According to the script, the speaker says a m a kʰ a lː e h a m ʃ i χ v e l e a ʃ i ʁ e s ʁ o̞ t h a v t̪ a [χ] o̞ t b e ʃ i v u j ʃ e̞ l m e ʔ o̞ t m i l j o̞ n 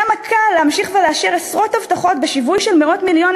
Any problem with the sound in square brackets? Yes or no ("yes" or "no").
no